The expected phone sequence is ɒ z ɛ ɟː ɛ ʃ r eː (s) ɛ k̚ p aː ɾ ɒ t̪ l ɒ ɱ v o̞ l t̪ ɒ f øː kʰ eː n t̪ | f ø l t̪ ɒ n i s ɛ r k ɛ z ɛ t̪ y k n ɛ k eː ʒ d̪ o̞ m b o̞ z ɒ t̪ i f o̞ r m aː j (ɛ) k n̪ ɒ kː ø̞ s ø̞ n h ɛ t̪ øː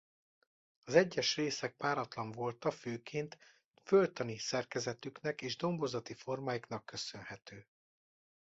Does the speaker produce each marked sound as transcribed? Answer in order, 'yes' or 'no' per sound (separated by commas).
yes, no